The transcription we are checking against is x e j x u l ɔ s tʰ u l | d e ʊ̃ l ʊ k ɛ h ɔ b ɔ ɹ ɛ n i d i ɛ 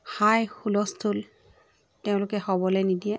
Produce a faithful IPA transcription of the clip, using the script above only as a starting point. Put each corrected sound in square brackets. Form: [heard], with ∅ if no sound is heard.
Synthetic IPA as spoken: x [a] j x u l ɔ s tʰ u l | [t] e ʊ̃ l ʊ k ɛ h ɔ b ɔ [l] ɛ n i d i ɛ